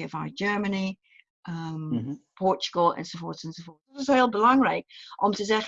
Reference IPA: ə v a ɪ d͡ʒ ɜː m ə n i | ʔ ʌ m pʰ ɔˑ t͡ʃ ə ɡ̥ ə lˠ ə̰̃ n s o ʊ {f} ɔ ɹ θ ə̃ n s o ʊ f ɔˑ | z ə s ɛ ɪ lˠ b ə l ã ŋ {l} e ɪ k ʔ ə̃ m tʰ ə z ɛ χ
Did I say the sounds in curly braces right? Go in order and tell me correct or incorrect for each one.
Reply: correct, incorrect: ɹ

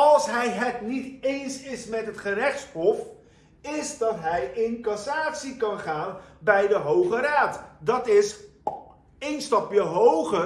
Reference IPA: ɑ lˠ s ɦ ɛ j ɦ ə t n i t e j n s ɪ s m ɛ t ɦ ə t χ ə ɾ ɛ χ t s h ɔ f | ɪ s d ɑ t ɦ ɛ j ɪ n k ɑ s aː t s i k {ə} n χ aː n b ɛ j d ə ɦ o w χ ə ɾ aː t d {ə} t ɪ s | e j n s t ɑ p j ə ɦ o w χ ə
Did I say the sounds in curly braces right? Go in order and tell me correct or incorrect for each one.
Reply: incorrect: ɑ, incorrect: ɑ

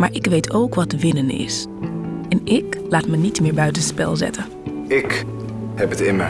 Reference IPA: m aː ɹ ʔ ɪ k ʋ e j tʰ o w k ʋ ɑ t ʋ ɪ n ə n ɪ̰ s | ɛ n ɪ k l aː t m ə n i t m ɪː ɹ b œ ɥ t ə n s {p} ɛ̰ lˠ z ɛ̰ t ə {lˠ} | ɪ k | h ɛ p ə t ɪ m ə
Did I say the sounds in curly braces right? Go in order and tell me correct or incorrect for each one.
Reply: correct, incorrect: none

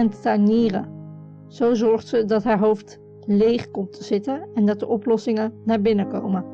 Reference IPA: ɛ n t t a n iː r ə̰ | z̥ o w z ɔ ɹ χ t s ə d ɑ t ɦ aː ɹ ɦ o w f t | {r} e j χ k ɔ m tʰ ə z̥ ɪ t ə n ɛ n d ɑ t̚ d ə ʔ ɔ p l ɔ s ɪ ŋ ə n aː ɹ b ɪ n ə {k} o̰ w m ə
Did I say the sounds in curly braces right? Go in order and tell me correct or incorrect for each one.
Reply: incorrect: l, correct

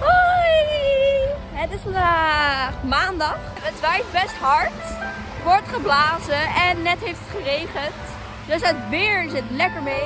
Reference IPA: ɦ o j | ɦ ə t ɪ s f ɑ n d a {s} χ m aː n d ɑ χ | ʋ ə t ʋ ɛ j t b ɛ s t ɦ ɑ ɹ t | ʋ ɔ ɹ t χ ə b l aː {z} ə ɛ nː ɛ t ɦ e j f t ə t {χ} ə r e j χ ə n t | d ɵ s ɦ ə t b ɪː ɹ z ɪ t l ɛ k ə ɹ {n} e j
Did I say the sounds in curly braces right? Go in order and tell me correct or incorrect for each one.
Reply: incorrect: none, correct, correct, incorrect: m

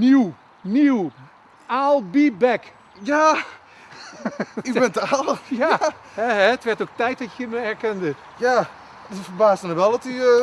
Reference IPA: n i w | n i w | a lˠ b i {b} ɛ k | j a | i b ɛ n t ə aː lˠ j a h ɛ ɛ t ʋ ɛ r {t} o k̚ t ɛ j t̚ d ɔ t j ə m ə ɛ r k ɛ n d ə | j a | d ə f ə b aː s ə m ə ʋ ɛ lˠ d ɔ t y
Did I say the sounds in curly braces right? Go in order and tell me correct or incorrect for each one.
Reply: correct, correct

